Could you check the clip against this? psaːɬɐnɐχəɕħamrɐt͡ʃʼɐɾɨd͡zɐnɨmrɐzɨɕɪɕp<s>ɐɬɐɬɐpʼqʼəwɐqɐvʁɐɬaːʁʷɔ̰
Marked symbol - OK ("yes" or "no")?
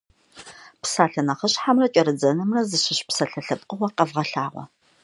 yes